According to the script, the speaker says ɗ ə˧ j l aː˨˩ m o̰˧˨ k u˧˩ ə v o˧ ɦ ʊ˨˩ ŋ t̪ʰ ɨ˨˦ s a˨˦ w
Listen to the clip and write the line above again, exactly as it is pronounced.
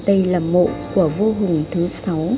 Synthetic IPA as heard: ɗ ə˧ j l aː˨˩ m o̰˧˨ k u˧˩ ə v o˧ ɦ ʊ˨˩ ŋ t̪ʰ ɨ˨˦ s a˨˦ w